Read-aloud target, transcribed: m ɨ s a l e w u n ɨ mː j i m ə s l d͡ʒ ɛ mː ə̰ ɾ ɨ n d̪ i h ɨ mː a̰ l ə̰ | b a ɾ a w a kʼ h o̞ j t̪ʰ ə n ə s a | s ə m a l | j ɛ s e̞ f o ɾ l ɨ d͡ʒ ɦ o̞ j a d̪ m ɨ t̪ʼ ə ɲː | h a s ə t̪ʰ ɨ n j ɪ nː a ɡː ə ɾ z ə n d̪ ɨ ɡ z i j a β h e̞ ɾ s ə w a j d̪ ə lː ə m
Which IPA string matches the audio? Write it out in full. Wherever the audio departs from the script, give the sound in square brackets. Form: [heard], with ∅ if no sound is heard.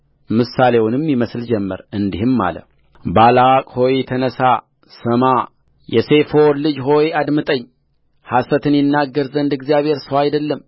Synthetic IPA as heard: m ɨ s a l e w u n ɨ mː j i m ə s l d͡ʒ ɛ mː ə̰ ɾ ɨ n d̪ i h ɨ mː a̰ l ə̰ | b a [l] a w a kʼ h o̞ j t̪ʰ ə n ə s a | s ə m a [∅] | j ɛ s e̞ f o ɾ l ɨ d͡ʒ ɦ o̞ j a d̪ m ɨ t̪ʼ ə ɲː | h a s ə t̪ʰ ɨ n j ɪ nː a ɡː ə ɾ z ə n d̪ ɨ ɡ z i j a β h e̞ ɾ s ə w a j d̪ ə lː ə m